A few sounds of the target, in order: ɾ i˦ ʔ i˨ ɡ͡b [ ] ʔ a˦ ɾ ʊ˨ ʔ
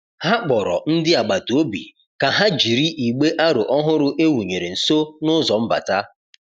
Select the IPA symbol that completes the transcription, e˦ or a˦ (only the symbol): e˦